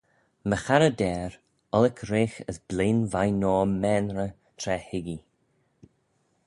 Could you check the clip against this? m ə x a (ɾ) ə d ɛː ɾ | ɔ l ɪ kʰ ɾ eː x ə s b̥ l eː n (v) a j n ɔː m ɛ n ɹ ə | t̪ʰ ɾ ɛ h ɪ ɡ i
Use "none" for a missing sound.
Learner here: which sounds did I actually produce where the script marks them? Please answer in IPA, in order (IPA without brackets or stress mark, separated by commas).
ɾ, v